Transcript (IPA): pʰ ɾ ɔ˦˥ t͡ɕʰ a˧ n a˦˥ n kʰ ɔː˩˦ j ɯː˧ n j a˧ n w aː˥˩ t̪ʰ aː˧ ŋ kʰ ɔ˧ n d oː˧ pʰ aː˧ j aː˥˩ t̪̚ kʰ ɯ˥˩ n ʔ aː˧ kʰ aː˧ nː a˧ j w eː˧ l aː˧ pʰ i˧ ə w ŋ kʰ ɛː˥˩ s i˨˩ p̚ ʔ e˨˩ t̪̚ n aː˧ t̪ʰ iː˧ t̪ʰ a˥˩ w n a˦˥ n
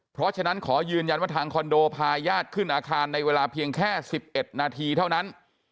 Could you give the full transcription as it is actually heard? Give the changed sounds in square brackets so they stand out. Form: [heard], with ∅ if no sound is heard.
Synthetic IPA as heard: pʰ ɾ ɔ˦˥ t͡ɕʰ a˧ n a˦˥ n kʰ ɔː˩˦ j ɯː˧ n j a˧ n w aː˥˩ t̪ʰ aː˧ ŋ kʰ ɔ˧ n d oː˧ pʰ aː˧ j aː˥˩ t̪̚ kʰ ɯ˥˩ n ʔ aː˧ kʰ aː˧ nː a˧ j w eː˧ l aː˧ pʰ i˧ ə [∅] ŋ kʰ ɛː˥˩ s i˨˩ p̚ ʔ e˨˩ t̪̚ n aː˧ t̪ʰ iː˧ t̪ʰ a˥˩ w n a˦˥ n